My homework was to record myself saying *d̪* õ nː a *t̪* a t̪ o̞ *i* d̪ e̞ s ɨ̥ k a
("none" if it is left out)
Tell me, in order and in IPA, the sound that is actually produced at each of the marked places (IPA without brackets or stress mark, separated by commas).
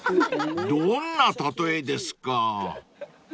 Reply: d̪, t̪, e